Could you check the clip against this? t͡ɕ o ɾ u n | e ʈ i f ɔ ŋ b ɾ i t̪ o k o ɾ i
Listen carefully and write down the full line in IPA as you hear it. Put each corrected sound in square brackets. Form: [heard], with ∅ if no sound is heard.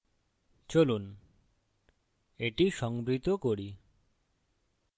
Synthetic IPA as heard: t͡ɕ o [l] u n | e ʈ i [ʃ] ɔ ŋ b ɾ i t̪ o k o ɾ i

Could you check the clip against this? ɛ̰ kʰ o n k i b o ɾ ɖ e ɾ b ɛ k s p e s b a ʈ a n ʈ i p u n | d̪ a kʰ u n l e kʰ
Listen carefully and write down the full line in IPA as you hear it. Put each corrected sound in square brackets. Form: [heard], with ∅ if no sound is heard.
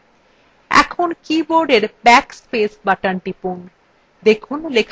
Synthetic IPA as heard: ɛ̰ kʰ o n k i b o ɾ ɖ e ɾ b ɛ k s p e s b a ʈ a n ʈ i p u n | d̪ [e] kʰ u n l e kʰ

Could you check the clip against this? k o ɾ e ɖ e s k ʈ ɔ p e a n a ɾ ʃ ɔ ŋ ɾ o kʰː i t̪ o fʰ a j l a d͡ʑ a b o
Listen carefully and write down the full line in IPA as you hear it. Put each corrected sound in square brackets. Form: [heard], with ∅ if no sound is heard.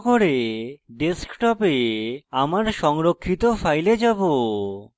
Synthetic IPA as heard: k o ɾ e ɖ e s k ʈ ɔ p e a [m] a ɾ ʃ ɔ ŋ ɾ o kʰː i t̪ o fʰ a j l [e] d͡ʑ a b o

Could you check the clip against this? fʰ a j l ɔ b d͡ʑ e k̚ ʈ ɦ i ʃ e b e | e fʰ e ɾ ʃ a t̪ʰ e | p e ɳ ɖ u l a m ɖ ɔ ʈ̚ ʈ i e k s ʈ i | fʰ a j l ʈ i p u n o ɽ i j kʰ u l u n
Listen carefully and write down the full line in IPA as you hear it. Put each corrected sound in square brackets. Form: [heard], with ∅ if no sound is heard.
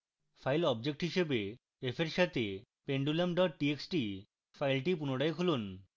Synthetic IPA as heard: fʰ a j l ɔ b d͡ʑ e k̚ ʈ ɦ i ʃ e b e | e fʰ e ɾ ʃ a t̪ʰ e | p e ɳ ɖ u l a m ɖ ɔ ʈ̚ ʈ i e k s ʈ i | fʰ a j l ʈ i p u n o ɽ [a] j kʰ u l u n

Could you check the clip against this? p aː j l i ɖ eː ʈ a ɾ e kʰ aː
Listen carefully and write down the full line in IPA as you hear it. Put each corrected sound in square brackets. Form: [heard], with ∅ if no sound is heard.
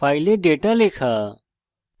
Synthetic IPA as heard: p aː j l [e] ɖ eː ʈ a [l] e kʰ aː

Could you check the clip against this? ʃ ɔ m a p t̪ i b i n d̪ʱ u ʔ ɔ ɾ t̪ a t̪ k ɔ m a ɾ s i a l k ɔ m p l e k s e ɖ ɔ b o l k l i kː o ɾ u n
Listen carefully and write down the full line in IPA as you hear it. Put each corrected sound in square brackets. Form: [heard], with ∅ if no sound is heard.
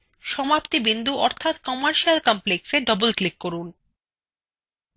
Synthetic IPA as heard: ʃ ɔ m a p t̪ i b i n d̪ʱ u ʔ ɔ ɾ [t̪ʰ] a t̪ k ɔ m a ɾ [ʃ] i a l k ɔ m p l e k s e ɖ ɔ b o l k l i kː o ɾ u n

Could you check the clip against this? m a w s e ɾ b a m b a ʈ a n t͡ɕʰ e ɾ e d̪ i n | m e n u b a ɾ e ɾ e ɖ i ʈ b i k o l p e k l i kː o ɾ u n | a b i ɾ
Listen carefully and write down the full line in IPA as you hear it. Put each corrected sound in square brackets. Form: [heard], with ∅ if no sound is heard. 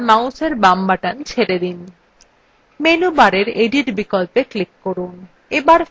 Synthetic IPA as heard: m a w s e ɾ b a m b a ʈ a n t͡ɕʰ e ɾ e d̪ i n | m e n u b a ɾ e ɾ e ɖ i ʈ b i k o l p e k l i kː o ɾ u n | [e] b [a] ɾ

